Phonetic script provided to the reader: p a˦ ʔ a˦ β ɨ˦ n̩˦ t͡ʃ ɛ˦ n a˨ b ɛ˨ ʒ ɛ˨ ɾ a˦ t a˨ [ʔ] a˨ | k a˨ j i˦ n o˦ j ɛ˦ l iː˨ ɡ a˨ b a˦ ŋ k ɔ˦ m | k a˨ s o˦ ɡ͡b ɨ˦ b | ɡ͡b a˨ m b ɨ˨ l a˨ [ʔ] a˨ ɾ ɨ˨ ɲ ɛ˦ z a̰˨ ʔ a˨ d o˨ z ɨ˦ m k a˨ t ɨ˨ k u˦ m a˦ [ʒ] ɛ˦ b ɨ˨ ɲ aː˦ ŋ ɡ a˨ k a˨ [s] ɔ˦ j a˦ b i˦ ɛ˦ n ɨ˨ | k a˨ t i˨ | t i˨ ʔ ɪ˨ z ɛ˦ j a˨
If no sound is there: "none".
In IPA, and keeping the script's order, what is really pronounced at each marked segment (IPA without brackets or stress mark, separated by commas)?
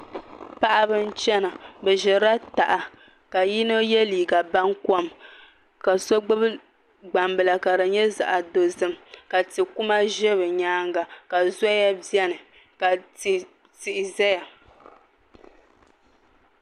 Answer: ʔ, k, ʒ, z